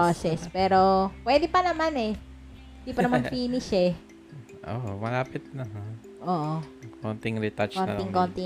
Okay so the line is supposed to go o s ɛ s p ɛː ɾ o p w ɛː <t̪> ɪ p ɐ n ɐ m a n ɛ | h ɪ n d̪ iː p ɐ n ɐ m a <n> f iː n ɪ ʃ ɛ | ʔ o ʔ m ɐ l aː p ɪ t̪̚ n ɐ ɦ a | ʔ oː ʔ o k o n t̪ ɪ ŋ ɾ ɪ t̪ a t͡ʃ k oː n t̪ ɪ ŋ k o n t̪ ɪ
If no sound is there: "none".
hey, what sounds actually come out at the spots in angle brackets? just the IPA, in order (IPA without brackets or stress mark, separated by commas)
d̪, n